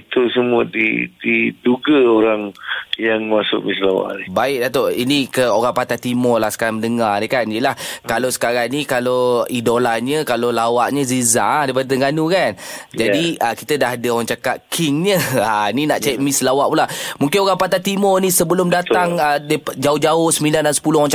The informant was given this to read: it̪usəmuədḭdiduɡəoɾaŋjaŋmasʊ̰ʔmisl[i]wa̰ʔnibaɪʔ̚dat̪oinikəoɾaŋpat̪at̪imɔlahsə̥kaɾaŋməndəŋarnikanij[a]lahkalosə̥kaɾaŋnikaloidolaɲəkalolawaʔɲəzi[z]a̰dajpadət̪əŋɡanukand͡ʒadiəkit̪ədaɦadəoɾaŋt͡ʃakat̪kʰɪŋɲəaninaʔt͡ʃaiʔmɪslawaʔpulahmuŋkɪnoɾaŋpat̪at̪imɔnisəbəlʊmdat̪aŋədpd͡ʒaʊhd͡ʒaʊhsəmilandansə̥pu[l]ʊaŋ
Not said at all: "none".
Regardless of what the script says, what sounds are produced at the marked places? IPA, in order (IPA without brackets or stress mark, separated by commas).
a, ə, z, l